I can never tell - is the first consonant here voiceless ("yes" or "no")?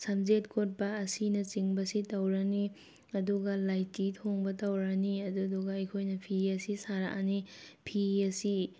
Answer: yes